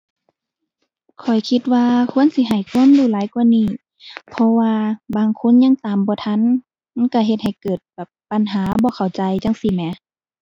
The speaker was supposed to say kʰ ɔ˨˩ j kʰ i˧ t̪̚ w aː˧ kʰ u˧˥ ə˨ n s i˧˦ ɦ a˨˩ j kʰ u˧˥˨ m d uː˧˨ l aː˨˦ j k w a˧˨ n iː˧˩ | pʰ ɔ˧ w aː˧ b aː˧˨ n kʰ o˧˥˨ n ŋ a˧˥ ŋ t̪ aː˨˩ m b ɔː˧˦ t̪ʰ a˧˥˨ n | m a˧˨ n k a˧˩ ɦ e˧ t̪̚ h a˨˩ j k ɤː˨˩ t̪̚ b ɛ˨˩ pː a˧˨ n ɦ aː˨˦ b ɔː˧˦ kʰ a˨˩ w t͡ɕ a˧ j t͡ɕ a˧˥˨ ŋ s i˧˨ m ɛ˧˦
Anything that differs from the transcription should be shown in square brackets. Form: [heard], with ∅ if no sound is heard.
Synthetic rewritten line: kʰ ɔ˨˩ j kʰ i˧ t̪̚ w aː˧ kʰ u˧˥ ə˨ n s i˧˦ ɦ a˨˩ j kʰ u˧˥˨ m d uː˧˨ l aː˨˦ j k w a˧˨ n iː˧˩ | pʰ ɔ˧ w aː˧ b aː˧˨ [ŋ] kʰ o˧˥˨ n [ɲ] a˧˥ ŋ t̪ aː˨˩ m b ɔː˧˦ t̪ʰ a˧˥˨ n | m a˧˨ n k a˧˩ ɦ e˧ t̪̚ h a˨˩ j k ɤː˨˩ t̪̚ b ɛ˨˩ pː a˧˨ n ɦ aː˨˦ b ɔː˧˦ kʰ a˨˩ w t͡ɕ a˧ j t͡ɕ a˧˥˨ ŋ s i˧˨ m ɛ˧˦